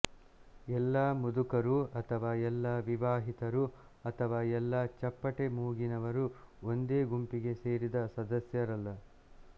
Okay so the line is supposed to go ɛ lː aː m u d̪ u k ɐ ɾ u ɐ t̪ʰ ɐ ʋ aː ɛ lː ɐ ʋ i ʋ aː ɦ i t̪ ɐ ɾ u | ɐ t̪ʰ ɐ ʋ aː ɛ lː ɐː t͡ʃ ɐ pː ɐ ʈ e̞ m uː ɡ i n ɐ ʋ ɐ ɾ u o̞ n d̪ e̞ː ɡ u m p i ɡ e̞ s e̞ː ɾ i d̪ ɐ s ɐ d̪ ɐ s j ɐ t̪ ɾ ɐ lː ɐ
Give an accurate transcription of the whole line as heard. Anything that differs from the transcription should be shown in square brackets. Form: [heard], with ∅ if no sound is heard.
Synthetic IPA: ɛ lː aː m u d̪ u k ɐ ɾ u ɐ t̪ʰ ɐ ʋ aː ɛ lː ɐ ʋ i ʋ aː ɦ i t̪ ɐ ɾ u | ɐ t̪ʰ ɐ ʋ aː ɛ lː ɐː t͡ʃ ɐ pː ɐ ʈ e̞ m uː ɡ i n ɐ ʋ ɐ ɾ u o̞ n d̪ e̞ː ɡ u m p i ɡ e̞ s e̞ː ɾ i d̪ ɐ s ɐ d̪ ɐ s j ɐ [∅] ɾ ɐ lː ɐ